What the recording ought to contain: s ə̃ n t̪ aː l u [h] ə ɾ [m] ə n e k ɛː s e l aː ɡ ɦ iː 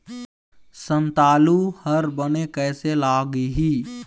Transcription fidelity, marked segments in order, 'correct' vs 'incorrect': correct, incorrect: b

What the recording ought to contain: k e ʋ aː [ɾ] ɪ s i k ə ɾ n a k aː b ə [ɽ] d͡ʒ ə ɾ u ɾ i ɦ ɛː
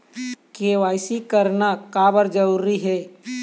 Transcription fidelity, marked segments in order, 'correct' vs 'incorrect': incorrect: none, incorrect: ɾ

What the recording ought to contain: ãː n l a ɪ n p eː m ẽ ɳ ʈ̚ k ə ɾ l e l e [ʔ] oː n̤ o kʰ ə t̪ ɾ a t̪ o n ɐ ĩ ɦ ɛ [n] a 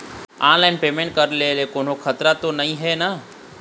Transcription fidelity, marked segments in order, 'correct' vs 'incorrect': incorrect: k, correct

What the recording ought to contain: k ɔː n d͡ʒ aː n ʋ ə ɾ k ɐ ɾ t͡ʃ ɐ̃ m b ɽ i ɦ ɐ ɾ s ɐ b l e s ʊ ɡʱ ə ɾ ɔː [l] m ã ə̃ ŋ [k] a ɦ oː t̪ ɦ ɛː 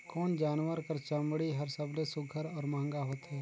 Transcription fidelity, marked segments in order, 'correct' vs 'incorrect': incorrect: ɾ, incorrect: ɡ

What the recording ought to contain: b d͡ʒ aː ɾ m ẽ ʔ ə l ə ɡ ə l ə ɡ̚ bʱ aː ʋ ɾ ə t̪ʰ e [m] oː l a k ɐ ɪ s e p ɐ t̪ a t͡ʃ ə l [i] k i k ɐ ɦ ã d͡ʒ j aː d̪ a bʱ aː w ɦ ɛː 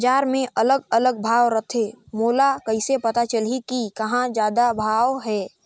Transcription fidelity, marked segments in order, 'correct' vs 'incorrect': correct, correct

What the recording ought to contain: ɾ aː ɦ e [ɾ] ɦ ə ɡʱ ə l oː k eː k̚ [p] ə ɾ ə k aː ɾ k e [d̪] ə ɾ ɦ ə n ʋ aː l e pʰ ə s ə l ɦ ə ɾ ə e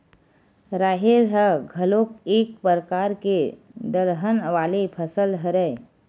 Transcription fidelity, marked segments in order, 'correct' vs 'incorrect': correct, correct, correct

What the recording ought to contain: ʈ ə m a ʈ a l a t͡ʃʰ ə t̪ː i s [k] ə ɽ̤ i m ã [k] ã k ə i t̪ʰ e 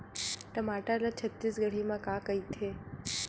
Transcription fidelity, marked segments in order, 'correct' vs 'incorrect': incorrect: ɡ, correct

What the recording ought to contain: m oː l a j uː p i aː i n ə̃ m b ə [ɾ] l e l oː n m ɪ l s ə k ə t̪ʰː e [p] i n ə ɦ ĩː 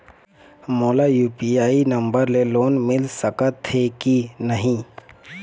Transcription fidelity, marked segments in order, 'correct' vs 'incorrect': correct, incorrect: k

